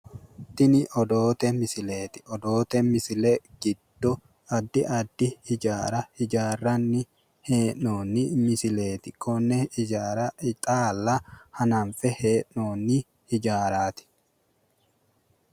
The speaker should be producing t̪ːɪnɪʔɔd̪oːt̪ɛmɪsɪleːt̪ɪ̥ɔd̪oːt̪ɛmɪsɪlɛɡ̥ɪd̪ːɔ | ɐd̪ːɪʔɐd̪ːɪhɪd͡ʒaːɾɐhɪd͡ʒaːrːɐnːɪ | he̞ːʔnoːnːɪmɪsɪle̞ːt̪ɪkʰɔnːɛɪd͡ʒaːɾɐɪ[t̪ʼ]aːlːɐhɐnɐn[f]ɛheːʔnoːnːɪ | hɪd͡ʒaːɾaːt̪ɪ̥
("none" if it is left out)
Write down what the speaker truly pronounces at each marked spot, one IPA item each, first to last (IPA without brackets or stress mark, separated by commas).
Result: t̪ʼ, f